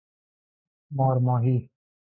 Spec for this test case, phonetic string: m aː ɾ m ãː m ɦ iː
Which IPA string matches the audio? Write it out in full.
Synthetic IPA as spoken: m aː ɾ m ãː ɦ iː